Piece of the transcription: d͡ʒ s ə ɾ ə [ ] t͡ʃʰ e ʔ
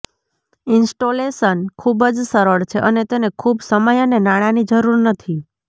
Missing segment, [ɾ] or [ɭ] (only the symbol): ɭ